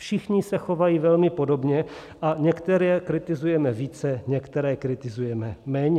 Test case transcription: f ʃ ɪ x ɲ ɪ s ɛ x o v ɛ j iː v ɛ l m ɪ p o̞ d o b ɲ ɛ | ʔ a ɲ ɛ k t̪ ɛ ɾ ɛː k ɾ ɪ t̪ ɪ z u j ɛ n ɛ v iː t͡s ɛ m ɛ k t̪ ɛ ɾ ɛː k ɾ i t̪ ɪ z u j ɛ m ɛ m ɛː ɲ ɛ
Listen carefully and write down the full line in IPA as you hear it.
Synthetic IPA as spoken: f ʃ ɪ x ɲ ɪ s ɛ x o v a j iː v ɛ l m ɪ p o̞ d o b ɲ ɛ | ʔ a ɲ ɛ k t̪ ɛ ɾ ɛː k ɾ ɪ t̪ ɪ z u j ɛ m ɛ v iː t͡s ɛ ɲ ɛ k t̪ ɛ ɾ ɛː k ɾ ɪ t̪ ɪ z u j ɛ m ɛ m ɛː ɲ ɛ

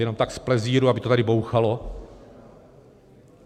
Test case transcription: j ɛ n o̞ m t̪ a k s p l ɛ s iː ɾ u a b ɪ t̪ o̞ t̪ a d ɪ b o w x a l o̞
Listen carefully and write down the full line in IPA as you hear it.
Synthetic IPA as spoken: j ɛ n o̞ m t̪ a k s p l ɛ z iː ɾ u a b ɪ t̪ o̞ t̪ a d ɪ b o w x a l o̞

